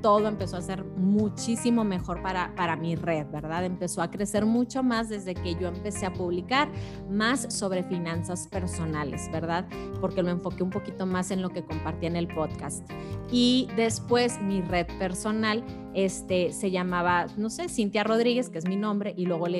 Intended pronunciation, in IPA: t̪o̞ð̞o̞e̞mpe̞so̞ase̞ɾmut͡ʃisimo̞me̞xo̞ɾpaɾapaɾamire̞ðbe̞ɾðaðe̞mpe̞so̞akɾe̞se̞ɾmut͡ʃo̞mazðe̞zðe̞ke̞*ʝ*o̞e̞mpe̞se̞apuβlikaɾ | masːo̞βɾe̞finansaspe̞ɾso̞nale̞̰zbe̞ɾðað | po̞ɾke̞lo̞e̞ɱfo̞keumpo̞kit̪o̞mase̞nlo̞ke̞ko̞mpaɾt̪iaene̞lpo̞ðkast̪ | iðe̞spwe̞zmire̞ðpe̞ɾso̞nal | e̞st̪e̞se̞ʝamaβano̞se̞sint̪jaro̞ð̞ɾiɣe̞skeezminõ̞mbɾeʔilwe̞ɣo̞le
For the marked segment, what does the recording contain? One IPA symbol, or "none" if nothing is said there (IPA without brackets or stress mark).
ʝ